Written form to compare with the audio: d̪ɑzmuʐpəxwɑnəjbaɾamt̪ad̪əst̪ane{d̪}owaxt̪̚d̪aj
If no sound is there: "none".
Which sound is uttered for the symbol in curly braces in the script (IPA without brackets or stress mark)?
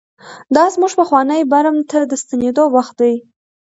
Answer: d̪